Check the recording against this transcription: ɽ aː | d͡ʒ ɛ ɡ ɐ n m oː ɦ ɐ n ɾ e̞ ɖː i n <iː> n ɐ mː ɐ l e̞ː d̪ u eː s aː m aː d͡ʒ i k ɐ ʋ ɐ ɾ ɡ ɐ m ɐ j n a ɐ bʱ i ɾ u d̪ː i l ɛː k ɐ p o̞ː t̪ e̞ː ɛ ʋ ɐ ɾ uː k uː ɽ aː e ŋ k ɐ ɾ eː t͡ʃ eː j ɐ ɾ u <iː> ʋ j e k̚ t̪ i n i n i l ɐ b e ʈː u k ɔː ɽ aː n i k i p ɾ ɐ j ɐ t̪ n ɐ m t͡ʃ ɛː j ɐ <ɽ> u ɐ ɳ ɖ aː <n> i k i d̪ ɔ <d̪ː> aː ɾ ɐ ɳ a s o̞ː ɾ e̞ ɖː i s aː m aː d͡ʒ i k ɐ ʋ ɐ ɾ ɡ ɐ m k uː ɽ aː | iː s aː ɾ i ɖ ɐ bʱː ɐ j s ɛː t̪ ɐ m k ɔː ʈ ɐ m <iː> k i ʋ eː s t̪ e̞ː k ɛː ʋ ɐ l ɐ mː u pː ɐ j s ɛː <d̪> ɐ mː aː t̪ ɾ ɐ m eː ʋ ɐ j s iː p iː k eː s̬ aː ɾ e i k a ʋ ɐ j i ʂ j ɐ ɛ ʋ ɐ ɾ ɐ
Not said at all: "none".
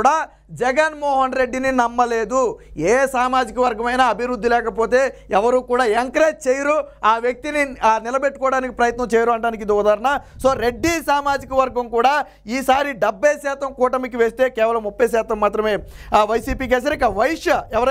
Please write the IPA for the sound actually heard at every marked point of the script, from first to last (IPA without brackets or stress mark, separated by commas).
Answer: i, aː, ɾ, n, d̪, i, t̪